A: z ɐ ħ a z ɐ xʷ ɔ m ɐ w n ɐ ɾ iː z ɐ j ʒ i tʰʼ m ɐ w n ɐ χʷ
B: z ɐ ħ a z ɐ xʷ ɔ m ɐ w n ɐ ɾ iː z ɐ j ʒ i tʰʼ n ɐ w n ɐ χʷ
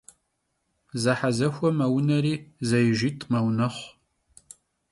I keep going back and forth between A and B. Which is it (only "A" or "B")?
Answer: A